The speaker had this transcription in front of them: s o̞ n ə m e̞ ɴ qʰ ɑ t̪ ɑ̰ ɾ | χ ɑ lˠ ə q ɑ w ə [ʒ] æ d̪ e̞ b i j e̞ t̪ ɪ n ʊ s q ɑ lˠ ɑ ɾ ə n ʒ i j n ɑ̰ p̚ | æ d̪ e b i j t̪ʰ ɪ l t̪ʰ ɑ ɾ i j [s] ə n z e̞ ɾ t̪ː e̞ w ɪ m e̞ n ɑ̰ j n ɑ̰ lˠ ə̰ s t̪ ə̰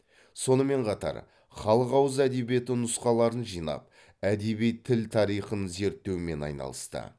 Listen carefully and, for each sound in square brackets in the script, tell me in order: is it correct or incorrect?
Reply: incorrect: z, incorrect: χ

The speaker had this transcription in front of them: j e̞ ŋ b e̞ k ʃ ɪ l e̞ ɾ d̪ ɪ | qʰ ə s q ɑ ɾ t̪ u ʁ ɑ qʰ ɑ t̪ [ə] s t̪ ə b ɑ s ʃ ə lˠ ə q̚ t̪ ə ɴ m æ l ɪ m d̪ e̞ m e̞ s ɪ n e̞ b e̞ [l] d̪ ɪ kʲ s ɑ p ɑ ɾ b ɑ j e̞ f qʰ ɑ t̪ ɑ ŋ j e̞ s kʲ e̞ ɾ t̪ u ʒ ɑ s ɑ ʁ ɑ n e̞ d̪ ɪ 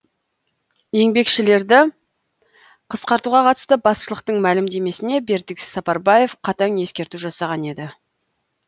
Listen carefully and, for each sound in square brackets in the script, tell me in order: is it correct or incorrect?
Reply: correct, incorrect: ɾ

